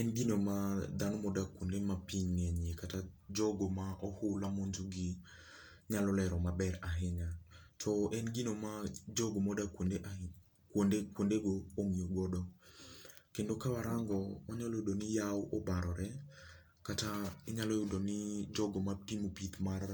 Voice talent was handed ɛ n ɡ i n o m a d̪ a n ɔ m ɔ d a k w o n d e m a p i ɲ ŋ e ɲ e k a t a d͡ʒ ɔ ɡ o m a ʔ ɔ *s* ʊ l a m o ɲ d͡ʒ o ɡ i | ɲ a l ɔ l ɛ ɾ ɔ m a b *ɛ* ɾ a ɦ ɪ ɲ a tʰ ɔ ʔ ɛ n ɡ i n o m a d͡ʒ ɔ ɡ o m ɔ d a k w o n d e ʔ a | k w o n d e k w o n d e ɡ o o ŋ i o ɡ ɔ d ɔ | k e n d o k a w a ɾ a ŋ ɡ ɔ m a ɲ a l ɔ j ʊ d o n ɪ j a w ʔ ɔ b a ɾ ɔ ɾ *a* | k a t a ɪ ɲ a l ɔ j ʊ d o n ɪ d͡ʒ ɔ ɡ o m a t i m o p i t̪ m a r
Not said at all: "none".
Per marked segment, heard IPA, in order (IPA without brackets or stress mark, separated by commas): h, ɛ, ɛ